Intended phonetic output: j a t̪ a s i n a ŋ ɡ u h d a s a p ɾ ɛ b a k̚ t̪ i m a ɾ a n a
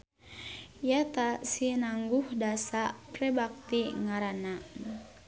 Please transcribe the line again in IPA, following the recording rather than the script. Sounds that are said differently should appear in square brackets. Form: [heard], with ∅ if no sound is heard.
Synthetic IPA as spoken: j a t̪ a s i n a ŋ ɡ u h d a s a p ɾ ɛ b a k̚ t̪ i [ŋ] a ɾ a n a